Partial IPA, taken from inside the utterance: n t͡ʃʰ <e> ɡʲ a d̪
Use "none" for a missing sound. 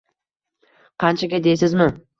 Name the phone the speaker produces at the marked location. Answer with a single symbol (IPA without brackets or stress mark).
a